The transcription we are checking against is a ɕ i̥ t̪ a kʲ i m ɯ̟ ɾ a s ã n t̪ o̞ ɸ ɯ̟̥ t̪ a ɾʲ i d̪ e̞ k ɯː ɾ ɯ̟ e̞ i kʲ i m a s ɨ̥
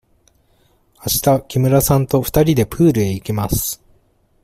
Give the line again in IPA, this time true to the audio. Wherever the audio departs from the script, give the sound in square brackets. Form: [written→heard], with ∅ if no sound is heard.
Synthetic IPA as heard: a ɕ i̥ t̪ a kʲ i m ɯ̟ ɾ a s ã n t̪ o̞ ɸ ɯ̟̥ t̪ a ɾʲ i d̪ e̞ [k→p] ɯː ɾ ɯ̟ e̞ i kʲ i m a s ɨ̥